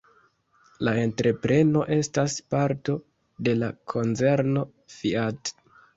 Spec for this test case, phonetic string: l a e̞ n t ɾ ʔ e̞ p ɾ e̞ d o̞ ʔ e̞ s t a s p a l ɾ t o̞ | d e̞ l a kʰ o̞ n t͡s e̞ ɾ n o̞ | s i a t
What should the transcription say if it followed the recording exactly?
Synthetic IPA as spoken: l a e̞ n t ɾ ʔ e̞ p ɾ e̞ n o̞ ʔ e̞ s t a s p a ɾ t o̞ | d e̞ l a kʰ o̞ n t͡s e̞ ɾ n o̞ | f i a t